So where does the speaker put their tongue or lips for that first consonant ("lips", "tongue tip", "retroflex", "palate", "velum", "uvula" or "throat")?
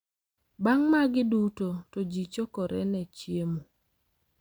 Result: lips